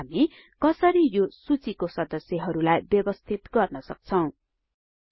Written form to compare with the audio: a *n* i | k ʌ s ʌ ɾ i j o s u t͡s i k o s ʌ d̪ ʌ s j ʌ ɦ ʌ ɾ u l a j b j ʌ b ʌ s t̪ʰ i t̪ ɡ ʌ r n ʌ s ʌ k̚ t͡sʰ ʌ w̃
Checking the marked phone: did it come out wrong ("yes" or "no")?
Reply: yes